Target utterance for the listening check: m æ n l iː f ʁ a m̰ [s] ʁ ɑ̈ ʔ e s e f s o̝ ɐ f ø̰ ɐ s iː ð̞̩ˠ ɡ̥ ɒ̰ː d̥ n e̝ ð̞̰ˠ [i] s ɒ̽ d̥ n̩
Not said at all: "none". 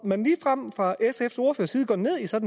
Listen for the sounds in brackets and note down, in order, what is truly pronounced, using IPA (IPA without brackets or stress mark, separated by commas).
f, i